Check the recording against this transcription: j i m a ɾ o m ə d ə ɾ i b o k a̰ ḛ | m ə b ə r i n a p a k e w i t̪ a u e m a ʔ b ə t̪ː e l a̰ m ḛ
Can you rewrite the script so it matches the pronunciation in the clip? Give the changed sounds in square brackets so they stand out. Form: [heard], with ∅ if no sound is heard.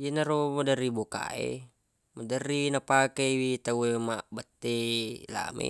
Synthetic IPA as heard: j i [n] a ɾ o m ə d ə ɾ i b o k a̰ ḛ | m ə [d] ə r i n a p a k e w i t̪ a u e m a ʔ b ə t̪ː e l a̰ m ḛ

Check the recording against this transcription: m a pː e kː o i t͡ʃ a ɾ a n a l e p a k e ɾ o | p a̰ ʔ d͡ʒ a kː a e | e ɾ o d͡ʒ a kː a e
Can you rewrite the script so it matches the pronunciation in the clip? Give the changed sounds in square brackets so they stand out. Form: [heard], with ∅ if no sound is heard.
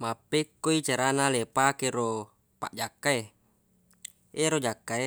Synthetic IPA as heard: m a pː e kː o i t͡ʃ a ɾ a n a l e p a k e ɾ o | p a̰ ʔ d͡ʒ a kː a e | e ɾ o d͡ʒ a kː a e

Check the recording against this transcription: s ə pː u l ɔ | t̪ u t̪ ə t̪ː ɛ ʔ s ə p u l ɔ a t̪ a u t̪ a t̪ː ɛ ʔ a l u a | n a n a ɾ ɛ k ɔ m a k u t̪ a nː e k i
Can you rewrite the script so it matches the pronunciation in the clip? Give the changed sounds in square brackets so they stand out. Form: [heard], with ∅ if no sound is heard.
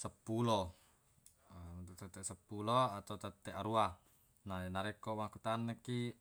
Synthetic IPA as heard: s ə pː u l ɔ | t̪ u t̪ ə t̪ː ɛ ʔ s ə p u l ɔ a t̪ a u t̪ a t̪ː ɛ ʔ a [ɾ] u a | n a n a ɾ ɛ k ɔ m a k u t̪ a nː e k i

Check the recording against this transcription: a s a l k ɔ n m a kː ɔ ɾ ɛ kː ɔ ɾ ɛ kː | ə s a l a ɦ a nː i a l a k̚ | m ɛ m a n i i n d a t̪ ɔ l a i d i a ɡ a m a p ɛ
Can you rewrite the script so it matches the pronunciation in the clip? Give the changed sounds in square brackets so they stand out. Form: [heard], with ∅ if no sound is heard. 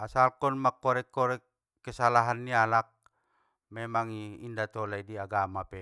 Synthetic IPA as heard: a s a l k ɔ n m a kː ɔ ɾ ɛ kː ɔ ɾ ɛ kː | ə s a l a ɦ a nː i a l a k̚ | m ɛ m a [ŋ] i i n d a t̪ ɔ l a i d i a ɡ a m a p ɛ

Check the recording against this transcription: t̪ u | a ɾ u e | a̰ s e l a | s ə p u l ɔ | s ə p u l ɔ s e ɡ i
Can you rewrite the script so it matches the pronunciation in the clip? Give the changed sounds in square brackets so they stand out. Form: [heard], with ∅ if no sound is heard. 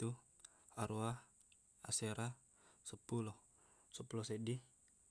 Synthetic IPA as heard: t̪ u | a ɾ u [a] | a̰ s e [ɾ] a | s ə p u l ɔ | s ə p u l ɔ s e [d] i

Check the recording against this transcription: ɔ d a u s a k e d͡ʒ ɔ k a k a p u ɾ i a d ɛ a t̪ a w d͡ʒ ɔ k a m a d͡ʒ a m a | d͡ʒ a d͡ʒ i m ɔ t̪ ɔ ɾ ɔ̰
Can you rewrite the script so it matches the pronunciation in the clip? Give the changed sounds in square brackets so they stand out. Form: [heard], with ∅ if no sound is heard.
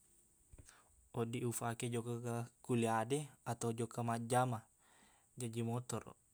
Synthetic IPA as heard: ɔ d [i] u [f] a k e d͡ʒ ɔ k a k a [k] u [l] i a d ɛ a t̪ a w d͡ʒ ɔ k a m a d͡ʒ a m a | d͡ʒ a d͡ʒ i m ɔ t̪ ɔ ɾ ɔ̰

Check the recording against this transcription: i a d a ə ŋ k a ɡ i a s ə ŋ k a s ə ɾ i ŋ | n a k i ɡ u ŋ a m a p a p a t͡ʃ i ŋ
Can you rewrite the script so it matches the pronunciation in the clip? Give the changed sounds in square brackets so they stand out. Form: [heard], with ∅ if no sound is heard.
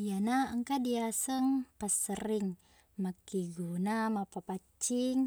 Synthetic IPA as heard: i a [n] a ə ŋ k a [d] i a s ə ŋ [p] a s ə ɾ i ŋ | [m] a k i ɡ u [n] a m a p a p a t͡ʃ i ŋ

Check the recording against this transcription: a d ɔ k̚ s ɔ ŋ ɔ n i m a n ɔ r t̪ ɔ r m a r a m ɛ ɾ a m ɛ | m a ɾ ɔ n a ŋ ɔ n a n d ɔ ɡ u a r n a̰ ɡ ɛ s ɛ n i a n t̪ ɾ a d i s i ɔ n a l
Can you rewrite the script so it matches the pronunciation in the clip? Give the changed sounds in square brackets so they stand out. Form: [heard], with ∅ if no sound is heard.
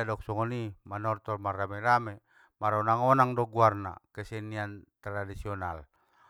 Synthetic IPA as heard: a d ɔ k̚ s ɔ ŋ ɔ n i m a n ɔ r t̪ ɔ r m a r a m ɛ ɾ a m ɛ | m a ɾ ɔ n a ŋ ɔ n a [ŋ] d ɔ ɡ u a r n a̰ [k] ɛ s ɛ n i a n t̪ ɾ a d i s i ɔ n a l

